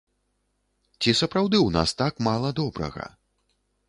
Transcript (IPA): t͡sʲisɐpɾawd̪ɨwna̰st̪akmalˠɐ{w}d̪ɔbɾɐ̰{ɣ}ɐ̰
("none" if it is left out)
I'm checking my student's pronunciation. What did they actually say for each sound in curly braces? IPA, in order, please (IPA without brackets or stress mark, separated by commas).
none, ɣ